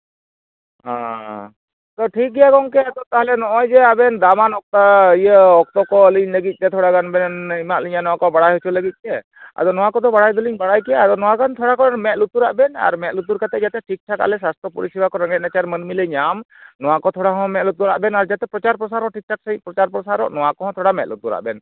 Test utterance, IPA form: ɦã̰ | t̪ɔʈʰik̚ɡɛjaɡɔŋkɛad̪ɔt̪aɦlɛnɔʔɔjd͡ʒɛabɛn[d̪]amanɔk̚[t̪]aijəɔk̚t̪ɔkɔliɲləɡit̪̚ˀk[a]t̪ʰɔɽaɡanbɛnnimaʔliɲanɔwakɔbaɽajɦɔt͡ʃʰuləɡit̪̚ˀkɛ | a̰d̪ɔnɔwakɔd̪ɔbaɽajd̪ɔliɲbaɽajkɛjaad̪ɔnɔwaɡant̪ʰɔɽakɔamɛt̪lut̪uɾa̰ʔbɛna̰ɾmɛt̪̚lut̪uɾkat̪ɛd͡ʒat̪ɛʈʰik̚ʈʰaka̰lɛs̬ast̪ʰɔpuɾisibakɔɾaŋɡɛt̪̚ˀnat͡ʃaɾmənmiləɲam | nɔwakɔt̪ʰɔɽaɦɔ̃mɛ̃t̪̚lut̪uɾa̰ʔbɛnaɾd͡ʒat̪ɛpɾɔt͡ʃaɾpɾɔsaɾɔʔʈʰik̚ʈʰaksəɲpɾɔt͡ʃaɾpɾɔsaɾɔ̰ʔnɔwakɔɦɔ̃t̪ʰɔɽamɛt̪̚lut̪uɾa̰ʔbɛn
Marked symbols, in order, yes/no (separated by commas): yes, yes, no